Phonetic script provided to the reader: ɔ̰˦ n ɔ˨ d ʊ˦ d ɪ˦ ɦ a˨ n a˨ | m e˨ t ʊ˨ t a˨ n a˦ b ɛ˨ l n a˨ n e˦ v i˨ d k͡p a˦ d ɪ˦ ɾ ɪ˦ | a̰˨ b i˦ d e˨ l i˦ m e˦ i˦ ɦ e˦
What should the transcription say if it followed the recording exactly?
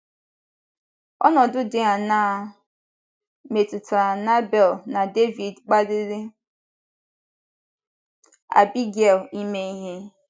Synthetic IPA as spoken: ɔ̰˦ n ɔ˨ d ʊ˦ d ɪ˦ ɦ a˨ n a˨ | m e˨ t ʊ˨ t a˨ n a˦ b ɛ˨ l n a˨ d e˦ v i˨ d k͡p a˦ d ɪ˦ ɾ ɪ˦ | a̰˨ b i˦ ɡ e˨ l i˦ m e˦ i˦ ɦ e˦

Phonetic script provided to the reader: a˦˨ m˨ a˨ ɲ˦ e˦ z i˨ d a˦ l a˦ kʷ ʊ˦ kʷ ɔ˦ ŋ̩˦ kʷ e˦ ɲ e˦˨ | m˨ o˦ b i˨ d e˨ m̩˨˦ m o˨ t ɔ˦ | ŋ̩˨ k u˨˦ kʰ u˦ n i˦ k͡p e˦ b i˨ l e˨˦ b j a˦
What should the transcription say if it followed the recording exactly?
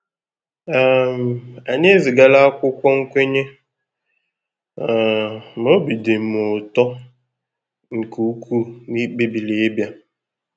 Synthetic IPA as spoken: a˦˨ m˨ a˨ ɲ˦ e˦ z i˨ ɡ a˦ l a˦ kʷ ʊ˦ kʷ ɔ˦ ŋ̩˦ kʷ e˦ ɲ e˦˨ | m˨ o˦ b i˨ d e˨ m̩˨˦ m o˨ t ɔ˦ | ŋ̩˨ k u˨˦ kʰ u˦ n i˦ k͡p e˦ b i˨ l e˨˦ b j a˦

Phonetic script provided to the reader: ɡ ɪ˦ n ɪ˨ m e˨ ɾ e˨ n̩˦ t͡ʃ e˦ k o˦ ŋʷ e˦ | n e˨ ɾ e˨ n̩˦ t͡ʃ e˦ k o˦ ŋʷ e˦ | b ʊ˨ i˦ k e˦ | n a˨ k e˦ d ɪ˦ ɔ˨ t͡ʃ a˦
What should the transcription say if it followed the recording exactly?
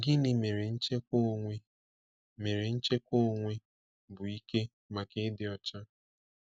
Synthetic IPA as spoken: ɡ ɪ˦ n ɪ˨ m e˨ ɾ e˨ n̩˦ t͡ʃ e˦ k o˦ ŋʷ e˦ | m e˨ ɾ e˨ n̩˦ t͡ʃ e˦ k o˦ ŋʷ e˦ | b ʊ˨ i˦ k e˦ | m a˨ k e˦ d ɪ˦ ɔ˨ t͡ʃ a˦

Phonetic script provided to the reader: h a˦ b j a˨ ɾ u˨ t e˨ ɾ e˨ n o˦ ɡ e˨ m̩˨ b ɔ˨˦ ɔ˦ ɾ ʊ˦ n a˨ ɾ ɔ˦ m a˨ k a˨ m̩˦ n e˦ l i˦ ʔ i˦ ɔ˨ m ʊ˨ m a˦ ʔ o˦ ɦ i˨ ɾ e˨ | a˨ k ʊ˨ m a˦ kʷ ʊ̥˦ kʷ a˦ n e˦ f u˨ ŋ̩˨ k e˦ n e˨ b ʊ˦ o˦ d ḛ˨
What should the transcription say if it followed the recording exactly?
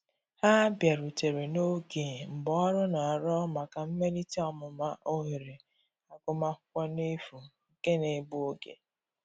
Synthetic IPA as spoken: h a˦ b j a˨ ɾ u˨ t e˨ ɾ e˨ n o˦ ɡ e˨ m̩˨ b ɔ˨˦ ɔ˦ ɾ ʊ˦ n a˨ ɾ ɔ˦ m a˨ k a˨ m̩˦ m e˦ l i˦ t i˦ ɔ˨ m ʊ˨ m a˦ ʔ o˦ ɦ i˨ ɾ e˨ | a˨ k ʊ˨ m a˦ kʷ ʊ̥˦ kʷ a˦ n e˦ f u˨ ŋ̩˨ k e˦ n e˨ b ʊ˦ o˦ ɡ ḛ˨

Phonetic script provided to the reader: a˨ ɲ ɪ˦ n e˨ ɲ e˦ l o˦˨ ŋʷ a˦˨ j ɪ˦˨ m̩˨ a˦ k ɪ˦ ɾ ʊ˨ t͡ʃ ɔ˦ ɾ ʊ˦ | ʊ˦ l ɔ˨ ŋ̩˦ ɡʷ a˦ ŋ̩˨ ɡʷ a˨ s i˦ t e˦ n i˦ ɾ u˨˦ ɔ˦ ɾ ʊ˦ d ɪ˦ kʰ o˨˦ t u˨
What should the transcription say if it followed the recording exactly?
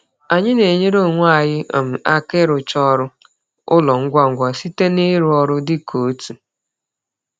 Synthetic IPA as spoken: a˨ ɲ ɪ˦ n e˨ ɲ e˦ ɾ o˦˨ ŋʷ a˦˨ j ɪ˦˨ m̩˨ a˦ k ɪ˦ ɾ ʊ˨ t͡ʃ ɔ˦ ɾ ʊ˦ | ʊ˦ l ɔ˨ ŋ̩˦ ɡʷ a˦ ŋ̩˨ ɡʷ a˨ s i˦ t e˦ n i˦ ɾ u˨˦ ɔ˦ ɾ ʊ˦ d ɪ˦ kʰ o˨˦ t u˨

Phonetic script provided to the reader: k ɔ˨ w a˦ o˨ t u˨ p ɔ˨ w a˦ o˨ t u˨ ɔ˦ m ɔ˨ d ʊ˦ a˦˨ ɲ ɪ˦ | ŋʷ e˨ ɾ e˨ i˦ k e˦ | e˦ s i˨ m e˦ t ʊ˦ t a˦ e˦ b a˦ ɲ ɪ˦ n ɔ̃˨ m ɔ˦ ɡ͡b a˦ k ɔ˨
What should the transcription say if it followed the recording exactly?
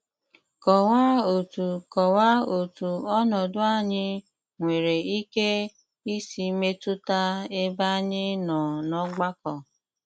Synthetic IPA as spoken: k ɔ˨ w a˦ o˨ t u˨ k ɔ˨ w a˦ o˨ t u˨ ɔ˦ n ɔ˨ d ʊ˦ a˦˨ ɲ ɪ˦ | ŋʷ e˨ ɾ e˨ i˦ k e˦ | i˦ s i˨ m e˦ t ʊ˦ t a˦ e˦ b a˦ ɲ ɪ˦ n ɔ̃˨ n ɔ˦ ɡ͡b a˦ k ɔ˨

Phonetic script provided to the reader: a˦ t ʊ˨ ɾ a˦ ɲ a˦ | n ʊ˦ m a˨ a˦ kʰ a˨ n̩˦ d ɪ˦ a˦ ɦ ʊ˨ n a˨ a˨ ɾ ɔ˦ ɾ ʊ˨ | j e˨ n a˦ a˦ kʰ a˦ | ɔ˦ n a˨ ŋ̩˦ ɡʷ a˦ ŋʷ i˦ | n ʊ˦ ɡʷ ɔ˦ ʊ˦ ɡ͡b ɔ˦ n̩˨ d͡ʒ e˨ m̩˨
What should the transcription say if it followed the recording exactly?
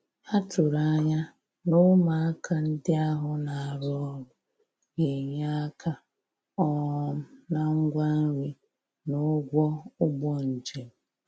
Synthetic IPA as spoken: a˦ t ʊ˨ ɾ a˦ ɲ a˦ | n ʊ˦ m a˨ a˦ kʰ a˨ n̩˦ d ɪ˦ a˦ ɦ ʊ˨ n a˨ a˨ ɾ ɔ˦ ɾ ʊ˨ | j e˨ ɲ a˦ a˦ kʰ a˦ | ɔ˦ n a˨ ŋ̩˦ ɡʷ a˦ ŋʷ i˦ | n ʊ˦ ɡʷ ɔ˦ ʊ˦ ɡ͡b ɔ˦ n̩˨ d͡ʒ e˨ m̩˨

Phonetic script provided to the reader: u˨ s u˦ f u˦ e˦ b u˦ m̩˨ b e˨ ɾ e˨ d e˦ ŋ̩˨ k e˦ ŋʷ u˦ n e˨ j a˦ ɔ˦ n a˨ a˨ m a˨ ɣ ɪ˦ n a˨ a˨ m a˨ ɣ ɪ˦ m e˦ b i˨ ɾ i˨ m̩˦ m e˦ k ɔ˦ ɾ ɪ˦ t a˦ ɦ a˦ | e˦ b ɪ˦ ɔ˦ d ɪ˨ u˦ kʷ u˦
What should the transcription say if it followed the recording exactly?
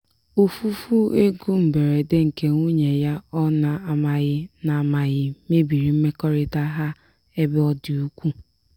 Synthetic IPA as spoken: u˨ f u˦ f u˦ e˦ ɡ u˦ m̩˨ b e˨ ɾ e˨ d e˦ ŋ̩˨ k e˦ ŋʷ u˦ ɲ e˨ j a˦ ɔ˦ n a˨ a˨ m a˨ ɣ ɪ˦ n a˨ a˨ m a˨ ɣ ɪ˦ m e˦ b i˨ ɾ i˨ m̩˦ m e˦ k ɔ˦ ɾ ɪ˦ t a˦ ɦ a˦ | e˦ b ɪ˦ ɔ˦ d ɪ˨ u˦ kʷ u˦

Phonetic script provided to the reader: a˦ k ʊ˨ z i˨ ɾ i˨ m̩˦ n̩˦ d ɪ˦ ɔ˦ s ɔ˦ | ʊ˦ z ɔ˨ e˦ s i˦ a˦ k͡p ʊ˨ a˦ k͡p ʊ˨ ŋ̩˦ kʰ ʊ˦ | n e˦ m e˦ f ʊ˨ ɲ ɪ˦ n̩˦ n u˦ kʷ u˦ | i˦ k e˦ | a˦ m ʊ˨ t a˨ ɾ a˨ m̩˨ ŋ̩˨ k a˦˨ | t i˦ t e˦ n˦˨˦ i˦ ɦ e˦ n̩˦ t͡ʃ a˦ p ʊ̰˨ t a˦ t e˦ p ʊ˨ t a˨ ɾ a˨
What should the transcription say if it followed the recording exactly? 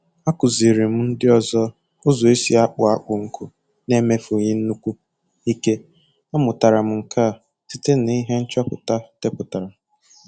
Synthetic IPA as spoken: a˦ k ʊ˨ z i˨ ɾ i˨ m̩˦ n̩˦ d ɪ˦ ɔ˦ z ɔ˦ | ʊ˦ z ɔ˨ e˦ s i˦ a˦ k͡p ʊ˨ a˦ k͡p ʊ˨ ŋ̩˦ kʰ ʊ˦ | n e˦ m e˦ f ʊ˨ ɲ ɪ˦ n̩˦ n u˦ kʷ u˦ | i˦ k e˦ | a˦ m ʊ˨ t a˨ ɾ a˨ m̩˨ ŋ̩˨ k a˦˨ | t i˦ t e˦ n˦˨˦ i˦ ɦ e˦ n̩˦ t͡ʃ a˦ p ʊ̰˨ t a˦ t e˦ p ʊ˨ t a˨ ɾ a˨

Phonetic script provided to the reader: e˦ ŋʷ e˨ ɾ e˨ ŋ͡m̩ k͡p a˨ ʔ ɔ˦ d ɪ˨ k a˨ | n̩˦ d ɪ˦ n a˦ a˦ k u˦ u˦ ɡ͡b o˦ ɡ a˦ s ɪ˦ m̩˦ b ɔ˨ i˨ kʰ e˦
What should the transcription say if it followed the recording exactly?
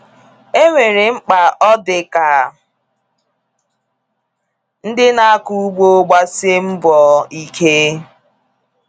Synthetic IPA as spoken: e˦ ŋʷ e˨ ɾ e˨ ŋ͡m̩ k͡p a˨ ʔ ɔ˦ d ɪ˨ k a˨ | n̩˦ d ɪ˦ n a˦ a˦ k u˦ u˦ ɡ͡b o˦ ɡ͡b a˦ s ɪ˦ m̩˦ b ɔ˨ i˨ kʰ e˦

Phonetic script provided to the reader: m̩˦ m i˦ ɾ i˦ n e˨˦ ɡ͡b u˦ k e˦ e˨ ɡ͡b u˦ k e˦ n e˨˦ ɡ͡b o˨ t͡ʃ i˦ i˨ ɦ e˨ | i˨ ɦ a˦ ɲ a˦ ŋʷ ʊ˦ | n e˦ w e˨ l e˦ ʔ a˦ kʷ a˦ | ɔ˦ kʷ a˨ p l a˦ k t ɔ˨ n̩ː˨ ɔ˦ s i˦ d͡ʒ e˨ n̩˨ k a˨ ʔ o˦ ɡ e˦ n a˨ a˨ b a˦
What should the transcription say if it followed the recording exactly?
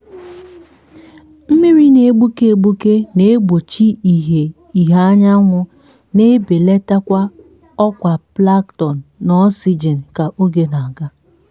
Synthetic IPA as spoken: m̩˦ m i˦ ɾ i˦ n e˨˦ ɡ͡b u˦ k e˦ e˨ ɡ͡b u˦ k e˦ n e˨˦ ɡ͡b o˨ t͡ʃ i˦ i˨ ɦ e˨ | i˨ ɦ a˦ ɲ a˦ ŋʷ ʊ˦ | n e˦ b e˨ l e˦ t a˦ kʷ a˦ | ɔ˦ kʷ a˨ p l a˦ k t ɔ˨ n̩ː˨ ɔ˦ s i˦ d͡ʒ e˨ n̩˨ k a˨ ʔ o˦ ɡ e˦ n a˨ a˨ ɡ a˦

